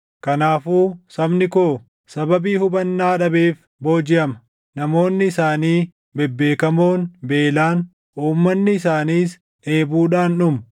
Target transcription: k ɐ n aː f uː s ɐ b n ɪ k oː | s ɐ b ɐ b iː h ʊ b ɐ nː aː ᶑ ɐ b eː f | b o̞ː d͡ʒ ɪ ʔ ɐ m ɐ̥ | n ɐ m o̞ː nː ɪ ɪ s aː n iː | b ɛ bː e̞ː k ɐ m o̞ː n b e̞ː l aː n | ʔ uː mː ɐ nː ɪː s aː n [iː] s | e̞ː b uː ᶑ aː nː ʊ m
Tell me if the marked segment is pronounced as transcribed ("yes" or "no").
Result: yes